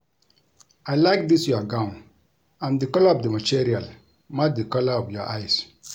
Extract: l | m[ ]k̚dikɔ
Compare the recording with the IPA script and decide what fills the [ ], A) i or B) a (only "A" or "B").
B